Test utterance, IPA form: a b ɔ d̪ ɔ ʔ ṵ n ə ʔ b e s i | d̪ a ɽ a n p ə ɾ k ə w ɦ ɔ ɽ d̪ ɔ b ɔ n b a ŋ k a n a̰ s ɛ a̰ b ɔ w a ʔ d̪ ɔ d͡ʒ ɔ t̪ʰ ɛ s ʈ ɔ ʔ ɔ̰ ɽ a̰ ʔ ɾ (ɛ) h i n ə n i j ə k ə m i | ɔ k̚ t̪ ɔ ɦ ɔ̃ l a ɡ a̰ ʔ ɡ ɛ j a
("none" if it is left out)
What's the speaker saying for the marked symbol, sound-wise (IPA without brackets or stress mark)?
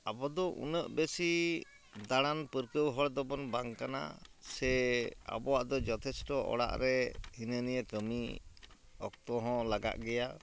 ɛ